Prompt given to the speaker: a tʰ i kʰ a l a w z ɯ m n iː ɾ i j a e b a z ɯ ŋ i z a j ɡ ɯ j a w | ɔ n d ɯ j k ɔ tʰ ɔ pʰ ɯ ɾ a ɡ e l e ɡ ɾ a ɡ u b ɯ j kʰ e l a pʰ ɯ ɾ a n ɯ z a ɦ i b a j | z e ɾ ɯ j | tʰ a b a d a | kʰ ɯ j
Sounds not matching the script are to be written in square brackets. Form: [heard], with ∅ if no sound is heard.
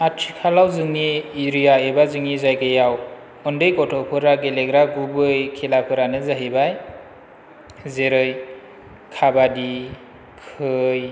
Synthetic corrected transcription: a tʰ i kʰ a l a w z ɯ [ŋ] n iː ɾ i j a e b a z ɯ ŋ i z a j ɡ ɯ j a w | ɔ n d ɯ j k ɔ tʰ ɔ pʰ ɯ ɾ a ɡ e l e ɡ ɾ a ɡ u b ɯ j kʰ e l a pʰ ɯ ɾ a n ɯ z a ɦ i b a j | z e ɾ ɯ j | [kʰ] a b a d [i] | kʰ ɯ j